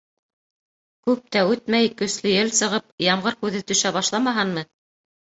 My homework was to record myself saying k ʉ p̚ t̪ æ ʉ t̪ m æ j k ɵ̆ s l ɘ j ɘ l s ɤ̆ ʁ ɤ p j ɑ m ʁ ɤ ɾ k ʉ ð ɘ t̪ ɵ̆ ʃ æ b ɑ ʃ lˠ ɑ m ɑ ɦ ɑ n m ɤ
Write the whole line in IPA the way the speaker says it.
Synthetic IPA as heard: k ʉ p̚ t̪ æ ʉ t̪ m æ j k ɵ̆ s l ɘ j ɘ l s ɤ̆ ʁ ɤ p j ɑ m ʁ ɤ ɾ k ʉ ð ɘ t̪ ɵ̆ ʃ æ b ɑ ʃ lˠ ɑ m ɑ ɦ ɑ n m ɤ